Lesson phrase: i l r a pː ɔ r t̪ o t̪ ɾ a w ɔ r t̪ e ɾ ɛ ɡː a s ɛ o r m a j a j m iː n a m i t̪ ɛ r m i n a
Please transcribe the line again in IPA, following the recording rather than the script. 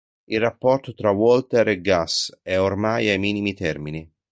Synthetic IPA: i l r a pː ɔ r t̪ o t̪ ɾ a w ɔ l t̪ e ɾ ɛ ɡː a s ɛ o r m a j a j m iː n i m i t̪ ɛ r m i n i